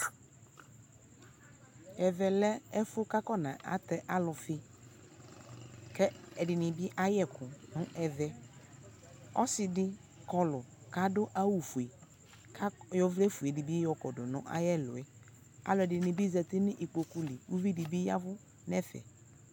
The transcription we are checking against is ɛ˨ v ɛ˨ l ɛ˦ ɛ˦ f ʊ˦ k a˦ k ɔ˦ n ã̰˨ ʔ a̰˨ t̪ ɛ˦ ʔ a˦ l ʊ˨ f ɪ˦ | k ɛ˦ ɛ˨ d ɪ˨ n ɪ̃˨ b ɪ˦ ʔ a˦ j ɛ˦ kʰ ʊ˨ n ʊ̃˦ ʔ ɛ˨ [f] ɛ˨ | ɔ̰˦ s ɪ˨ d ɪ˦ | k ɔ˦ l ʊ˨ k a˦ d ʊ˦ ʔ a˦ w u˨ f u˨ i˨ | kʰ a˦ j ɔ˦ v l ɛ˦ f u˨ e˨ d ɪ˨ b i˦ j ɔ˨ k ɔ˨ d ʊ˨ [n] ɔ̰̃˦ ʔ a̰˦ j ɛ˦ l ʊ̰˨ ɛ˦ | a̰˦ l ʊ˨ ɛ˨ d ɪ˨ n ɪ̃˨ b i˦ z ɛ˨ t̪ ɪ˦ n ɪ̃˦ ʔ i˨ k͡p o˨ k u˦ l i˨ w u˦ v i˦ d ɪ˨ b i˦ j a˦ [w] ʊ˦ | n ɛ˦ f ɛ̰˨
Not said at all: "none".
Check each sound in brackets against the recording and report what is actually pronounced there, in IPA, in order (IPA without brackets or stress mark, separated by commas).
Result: v, n, v